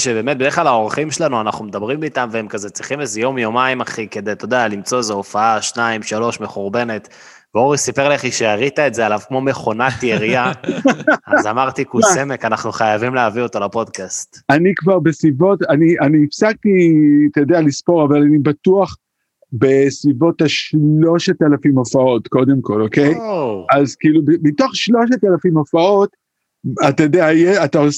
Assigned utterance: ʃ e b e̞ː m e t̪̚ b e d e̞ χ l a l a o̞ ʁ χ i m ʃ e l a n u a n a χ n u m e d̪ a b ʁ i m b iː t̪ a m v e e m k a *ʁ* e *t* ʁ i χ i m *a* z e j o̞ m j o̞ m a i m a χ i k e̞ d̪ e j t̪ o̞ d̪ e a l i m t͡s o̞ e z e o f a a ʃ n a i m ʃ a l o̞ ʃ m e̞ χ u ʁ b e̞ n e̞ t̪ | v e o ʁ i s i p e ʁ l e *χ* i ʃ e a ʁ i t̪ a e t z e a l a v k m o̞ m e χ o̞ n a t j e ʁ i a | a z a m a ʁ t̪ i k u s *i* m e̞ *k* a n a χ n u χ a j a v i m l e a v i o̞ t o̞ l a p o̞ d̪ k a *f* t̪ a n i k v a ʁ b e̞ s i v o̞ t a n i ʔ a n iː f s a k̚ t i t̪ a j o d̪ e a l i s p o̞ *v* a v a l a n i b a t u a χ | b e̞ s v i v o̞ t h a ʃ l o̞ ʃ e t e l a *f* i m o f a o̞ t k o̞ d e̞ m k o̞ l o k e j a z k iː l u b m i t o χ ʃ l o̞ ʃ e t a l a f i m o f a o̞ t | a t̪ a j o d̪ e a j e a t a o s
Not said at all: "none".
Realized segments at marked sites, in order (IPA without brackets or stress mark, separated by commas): z, t͡s, e, χ, e, k, s, ʁ, f